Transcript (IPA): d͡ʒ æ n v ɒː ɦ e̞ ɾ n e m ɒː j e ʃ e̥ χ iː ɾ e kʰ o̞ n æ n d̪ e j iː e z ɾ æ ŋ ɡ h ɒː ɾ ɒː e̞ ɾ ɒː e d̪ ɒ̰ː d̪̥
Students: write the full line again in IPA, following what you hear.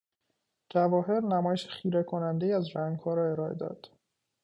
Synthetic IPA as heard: d͡ʒ æ v ɒː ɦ e̞ ɾ n æ m ɒː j e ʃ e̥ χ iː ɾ e kʰ o̞ n æ n d̪ e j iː æ z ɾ æ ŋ ɡ h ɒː ɾ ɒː e̞ ɾ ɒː e d̪ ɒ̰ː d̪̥